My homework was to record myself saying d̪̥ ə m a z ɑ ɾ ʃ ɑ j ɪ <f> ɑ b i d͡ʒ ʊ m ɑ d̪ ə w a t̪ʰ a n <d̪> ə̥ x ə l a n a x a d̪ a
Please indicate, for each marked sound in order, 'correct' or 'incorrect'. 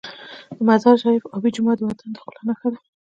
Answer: correct, correct

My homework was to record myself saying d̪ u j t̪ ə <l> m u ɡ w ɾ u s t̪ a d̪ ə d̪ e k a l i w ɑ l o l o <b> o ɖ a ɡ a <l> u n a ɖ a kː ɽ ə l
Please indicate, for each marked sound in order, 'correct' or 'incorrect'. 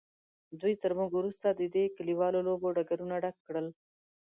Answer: incorrect: ɾ, correct, incorrect: ɾ

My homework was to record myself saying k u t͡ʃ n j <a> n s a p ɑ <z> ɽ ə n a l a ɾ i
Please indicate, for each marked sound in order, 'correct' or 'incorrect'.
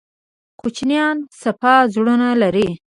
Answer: incorrect: ɑ, correct

